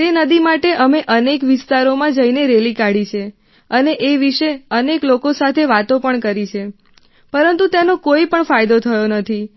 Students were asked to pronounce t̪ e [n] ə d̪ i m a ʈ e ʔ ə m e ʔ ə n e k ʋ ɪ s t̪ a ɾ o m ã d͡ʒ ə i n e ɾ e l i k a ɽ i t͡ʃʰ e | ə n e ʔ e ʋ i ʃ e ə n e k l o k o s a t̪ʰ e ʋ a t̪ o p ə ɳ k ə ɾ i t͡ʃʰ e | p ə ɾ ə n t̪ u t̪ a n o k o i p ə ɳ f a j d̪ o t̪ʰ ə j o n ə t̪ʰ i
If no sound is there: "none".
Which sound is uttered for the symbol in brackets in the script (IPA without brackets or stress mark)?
n